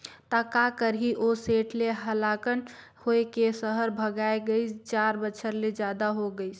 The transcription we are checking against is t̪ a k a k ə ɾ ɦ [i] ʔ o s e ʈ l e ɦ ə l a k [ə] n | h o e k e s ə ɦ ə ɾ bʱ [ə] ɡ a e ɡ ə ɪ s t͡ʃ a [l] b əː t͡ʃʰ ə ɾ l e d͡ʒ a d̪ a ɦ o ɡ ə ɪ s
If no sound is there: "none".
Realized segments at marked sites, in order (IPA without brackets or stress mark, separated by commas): i, ə, ə, ɾ